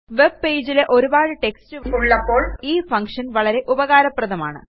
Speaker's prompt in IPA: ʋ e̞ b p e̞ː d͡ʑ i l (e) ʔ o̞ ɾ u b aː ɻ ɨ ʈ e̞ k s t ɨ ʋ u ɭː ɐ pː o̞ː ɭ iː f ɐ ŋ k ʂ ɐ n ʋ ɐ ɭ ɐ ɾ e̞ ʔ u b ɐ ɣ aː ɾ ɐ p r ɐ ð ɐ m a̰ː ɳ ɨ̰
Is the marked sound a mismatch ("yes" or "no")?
no